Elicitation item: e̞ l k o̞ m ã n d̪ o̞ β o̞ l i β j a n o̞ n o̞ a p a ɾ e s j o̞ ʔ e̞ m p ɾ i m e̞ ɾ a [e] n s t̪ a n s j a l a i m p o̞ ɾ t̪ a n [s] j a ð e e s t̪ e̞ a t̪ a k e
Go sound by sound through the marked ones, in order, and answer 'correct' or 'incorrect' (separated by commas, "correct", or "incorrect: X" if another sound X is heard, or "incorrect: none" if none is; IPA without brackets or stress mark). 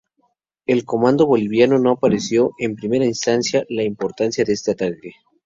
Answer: incorrect: i, correct